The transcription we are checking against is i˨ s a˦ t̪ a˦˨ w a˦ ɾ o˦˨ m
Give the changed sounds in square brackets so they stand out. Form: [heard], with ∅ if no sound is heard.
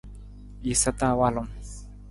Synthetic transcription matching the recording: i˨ s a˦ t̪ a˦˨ w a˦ [l] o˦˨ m